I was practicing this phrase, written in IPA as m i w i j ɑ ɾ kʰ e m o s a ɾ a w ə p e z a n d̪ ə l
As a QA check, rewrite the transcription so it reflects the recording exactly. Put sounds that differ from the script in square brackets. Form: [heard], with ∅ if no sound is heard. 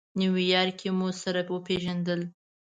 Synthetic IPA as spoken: [n] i w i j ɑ ɾ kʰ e m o s a ɾ a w ə p e [ʒ] a n d̪ ə l